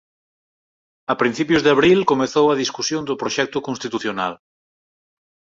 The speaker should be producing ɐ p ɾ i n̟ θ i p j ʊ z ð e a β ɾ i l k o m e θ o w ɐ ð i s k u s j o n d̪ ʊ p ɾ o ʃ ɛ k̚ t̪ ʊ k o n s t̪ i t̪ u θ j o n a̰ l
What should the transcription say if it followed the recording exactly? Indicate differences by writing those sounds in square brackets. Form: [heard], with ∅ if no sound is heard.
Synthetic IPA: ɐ p ɾ i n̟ θ i p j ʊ z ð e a β ɾ i l k o m e θ o w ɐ ð i s k u s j o n d̪ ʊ p ɾ o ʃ ɛ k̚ t̪ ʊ k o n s t̪ i t̪ u θ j o n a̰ l